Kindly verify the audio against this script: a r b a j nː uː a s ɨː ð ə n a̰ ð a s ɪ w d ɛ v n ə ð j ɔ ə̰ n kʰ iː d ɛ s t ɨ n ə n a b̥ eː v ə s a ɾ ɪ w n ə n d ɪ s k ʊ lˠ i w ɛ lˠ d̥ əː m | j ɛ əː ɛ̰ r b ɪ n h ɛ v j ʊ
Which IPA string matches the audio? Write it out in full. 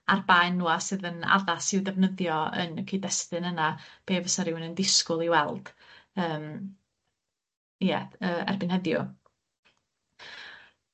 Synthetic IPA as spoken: a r b a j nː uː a s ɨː ð ə n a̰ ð a s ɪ w d ɛ v n ə ð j ɔ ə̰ n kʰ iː d ɛ s t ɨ n ə n a b̥ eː v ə s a ɾ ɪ w n ə n d ɪ s k ʊ lˠ i w ɛ lˠ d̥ əː m | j ɛ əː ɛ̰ r b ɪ n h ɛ ð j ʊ

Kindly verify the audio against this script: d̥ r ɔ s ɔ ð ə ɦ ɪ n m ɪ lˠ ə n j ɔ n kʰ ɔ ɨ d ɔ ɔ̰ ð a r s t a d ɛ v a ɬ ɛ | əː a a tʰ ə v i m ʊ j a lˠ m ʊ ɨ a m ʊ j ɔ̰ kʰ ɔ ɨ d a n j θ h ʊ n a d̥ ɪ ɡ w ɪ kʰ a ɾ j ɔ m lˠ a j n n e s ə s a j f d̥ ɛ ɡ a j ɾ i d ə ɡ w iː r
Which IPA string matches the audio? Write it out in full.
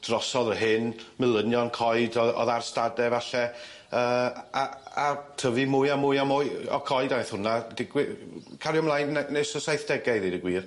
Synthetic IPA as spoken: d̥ r ɔ s ɔ ð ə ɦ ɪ n m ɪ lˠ ə n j ɔ n kʰ ɔ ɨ d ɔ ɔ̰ ð a r s t a d ɛ v a ɬ ɛ | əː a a tʰ ə v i m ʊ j a m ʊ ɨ a m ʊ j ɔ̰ kʰ ɔ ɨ d a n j θ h ʊ n a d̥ ɪ ɡ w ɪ kʰ a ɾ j ɔ m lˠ a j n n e s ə s a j θ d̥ ɛ ɡ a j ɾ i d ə ɡ w iː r

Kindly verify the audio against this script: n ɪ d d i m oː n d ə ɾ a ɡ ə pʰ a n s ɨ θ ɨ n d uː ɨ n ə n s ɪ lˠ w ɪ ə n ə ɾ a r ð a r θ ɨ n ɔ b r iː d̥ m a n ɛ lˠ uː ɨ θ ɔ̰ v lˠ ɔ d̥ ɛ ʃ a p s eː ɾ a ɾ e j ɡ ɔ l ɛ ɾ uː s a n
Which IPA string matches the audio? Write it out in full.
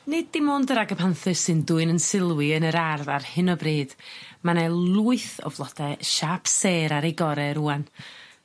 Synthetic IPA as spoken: n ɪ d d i m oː n d ə ɾ a ɡ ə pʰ a n θ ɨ s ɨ n d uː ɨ n ə n s ɪ lˠ w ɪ ə n ə ɾ a r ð a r h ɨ n ɔ b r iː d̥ m a n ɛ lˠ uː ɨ θ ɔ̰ v lˠ ɔ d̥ ɛ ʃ a p s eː ɾ a ɾ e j ɡ ɔ ɾ ɛ ɾ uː a n

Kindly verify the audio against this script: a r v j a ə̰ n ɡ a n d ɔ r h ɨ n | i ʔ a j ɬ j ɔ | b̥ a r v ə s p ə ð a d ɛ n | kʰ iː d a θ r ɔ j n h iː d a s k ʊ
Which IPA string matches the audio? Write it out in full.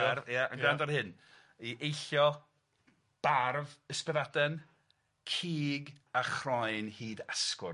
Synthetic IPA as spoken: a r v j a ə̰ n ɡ a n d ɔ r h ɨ n | i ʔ e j ɬ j ɔ | b̥ a r v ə s p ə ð a d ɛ n | kʰ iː ɡ a χ r ɔ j n h iː d a s k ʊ

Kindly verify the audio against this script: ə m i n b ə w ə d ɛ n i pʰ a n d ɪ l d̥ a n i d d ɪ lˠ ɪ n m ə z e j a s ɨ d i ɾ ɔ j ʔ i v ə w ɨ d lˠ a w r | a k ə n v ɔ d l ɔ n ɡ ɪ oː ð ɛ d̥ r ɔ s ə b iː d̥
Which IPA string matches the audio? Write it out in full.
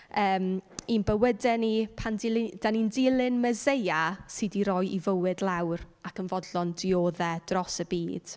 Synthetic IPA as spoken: əː m i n b ə w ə d ɛ n i pʰ a n d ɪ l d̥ a n i n d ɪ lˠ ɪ n m ə z e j a s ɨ d i ɾ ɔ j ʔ i v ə w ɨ d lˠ a w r | a k ə n v ɔ d l ɔ n d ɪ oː ð ɛ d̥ r ɔ s ə b iː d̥

